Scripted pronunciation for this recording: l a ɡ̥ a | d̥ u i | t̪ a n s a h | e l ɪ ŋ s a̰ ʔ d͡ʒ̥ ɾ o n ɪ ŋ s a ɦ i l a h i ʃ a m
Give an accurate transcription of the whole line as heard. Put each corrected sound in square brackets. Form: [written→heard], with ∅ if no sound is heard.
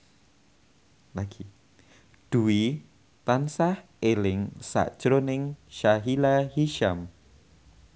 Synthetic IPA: l a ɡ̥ [a→i] | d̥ u i | t̪ a n s a h | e l ɪ ŋ s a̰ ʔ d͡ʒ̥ ɾ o n ɪ ŋ [s→ʃ] a ɦ i l a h i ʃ a m